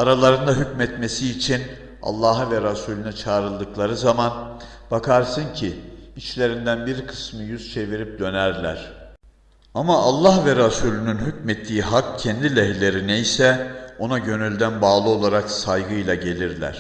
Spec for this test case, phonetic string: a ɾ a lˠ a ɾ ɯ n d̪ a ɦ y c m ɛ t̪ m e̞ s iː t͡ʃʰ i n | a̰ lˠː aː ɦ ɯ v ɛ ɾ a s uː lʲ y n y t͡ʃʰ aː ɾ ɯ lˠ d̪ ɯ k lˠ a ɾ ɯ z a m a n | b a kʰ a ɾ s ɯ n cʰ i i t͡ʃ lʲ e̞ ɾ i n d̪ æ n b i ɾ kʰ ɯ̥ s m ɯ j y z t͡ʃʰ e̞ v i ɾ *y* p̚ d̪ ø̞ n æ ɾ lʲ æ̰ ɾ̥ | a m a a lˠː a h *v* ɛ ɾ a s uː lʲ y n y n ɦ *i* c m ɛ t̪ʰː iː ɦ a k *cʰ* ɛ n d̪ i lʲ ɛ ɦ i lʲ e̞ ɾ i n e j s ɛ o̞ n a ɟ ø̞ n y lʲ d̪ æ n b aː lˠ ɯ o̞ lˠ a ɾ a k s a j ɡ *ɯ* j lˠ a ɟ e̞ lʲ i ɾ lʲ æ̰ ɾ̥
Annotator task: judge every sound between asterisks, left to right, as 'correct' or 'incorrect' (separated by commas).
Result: incorrect, correct, incorrect, correct, correct